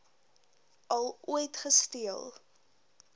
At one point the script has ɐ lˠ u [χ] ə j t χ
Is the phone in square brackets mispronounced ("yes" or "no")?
yes